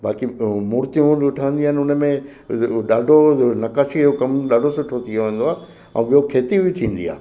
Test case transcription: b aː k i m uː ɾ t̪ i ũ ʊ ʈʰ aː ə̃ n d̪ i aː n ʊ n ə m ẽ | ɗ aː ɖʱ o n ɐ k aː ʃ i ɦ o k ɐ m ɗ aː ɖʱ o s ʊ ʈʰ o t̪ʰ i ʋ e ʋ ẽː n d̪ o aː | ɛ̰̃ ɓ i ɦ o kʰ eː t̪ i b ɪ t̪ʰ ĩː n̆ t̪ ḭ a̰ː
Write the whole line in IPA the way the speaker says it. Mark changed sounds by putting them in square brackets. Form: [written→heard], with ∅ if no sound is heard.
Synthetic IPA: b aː k i m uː ɾ t̪ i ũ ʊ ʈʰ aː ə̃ n d̪ i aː n ʊ n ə m ẽ | ɗ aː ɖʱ o n ɐ k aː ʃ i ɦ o k ɐ m ɗ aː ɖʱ o s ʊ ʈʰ o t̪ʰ i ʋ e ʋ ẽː n d̪ o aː | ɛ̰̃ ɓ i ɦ o kʰ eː t̪ i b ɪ t̪ʰ ĩː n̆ [t̪→d̪] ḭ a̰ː